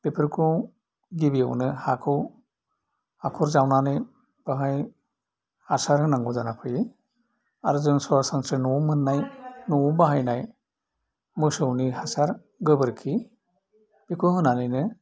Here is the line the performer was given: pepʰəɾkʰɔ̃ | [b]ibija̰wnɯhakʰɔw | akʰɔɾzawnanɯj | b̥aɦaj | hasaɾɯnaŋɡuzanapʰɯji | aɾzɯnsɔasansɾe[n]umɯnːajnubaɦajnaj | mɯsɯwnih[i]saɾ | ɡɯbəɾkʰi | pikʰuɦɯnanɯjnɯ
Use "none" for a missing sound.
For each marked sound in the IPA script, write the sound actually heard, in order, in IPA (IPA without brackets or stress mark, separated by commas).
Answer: ɡ, n, a